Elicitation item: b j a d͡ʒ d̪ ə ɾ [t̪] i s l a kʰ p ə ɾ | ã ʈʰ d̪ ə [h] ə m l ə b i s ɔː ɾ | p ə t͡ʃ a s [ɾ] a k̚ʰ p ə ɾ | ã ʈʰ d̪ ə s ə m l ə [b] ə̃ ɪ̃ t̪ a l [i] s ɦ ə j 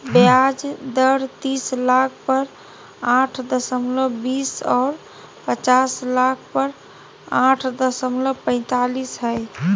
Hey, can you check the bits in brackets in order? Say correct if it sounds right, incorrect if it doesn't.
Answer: correct, incorrect: s, incorrect: l, incorrect: p, correct

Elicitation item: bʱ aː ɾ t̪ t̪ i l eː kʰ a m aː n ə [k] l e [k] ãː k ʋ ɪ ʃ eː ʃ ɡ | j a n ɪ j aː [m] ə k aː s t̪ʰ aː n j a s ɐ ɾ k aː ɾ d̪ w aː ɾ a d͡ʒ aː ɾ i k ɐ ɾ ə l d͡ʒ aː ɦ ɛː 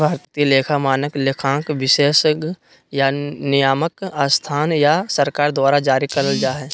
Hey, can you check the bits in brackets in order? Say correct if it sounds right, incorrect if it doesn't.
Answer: correct, incorrect: kʰ, correct

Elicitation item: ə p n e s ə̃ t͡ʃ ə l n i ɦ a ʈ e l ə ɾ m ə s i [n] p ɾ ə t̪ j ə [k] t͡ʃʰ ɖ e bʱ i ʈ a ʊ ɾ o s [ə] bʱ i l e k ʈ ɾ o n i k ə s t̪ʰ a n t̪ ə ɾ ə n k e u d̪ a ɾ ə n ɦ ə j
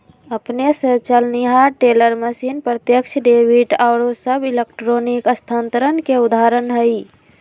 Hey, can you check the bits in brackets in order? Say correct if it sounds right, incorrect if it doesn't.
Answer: correct, correct, correct

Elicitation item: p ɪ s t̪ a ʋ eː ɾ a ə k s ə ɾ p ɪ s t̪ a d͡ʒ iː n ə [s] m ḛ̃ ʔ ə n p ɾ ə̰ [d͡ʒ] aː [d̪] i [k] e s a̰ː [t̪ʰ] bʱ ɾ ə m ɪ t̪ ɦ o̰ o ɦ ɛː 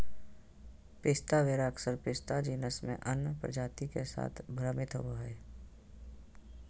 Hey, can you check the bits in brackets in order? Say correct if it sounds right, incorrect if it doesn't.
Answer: correct, correct, incorrect: t̪, correct, correct

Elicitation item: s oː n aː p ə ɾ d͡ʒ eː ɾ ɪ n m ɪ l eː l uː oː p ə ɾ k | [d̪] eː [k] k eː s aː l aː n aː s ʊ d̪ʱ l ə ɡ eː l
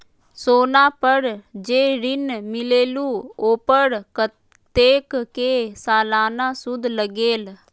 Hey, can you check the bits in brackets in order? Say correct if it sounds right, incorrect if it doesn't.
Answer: incorrect: t̪, correct

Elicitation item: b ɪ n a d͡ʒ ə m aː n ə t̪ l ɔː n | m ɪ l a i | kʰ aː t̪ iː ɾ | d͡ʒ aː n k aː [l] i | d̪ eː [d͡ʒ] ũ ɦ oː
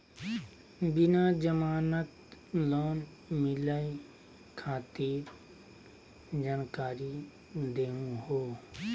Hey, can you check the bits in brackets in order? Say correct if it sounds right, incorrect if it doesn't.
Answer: incorrect: ɾ, incorrect: none

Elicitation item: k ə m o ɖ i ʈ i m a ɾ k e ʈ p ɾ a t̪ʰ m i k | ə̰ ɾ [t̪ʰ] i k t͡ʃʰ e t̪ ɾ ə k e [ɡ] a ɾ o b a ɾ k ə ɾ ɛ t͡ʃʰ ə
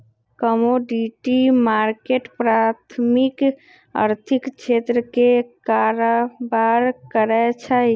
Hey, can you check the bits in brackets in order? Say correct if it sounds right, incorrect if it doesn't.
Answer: correct, incorrect: k

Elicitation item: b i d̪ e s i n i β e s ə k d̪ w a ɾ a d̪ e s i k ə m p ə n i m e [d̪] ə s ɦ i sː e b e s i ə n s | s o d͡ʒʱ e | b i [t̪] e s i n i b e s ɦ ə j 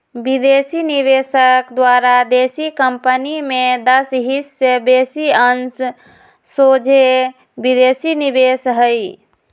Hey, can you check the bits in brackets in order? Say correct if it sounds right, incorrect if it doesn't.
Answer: correct, incorrect: d̪

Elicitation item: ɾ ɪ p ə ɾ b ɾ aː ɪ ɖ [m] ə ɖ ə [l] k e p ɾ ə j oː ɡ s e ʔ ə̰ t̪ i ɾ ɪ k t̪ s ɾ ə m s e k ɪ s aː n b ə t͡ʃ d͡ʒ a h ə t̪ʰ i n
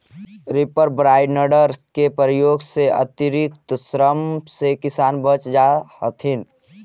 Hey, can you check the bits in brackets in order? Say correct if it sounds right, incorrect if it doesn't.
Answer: incorrect: n, incorrect: ɾ

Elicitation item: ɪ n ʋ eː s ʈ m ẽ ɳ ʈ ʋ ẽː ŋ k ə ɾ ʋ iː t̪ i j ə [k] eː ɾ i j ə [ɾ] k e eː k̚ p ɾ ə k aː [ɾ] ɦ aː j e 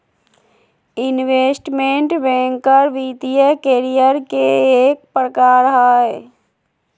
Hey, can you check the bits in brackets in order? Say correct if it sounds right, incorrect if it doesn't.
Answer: correct, correct, correct

